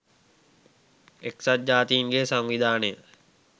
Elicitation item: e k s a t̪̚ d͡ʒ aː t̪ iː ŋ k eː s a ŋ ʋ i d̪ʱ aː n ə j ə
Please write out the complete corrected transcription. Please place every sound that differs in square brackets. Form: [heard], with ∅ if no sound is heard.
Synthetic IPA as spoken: e k s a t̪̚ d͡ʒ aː t̪ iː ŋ [ɡ] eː s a ŋ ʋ i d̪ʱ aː n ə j ə